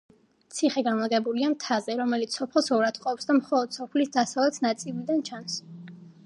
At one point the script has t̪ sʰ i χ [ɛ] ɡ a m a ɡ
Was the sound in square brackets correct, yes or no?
yes